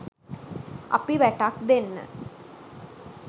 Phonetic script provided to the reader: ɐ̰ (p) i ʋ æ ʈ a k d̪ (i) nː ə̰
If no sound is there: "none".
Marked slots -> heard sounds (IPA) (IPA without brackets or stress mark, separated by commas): p, e